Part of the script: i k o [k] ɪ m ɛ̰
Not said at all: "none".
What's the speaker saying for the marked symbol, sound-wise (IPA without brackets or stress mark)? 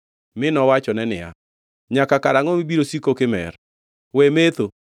k